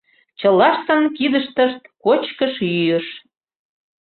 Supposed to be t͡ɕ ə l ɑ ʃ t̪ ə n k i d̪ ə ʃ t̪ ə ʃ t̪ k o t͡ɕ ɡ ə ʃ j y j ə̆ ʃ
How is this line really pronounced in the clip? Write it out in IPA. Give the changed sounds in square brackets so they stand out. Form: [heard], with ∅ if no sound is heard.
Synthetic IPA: t͡ɕ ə l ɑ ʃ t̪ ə n k i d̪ ə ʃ t̪ ə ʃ t̪ k o t͡ɕ [k] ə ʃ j y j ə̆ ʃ